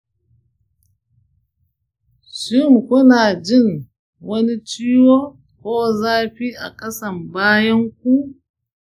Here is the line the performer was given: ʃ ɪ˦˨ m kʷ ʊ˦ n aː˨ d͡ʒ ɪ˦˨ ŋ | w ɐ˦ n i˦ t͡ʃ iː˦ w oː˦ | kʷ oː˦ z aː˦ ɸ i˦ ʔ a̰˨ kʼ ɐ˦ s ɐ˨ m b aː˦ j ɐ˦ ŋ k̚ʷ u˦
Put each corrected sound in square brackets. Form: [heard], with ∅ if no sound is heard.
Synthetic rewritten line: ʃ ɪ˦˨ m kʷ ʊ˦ n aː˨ d͡ʒ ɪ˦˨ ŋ | w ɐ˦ n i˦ t͡ʃ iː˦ w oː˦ | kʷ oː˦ z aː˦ ɸ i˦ ʔ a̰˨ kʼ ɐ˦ s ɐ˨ m b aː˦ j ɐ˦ ŋ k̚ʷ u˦